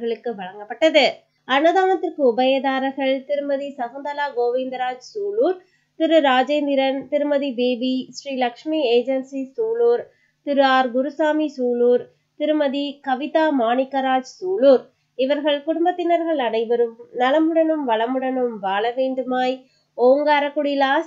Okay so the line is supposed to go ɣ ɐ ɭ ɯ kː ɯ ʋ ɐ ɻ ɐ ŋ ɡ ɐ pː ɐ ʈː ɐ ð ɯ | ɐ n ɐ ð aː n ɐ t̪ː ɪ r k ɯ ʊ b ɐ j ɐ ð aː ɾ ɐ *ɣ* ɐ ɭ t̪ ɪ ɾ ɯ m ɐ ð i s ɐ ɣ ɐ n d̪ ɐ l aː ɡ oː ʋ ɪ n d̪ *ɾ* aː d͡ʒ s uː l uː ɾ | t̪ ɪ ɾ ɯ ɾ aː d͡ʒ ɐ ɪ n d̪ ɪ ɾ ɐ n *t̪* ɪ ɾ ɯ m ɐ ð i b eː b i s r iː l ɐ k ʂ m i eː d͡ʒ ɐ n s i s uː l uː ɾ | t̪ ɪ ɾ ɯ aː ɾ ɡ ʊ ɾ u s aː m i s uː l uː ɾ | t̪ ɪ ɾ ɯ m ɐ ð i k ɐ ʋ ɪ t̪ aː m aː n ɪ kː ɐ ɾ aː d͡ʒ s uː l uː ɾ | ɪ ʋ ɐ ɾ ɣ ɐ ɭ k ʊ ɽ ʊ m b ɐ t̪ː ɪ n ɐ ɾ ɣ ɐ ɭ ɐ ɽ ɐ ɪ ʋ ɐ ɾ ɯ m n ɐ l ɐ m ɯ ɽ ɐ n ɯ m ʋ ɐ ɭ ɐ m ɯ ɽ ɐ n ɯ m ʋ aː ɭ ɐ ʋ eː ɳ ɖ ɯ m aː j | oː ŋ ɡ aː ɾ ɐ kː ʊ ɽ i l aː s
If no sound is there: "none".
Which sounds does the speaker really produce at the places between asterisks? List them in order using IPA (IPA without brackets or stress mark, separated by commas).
ɣ, ɾ, t̪